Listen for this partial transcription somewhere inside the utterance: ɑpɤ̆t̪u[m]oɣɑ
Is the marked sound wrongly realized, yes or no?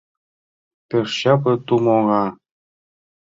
no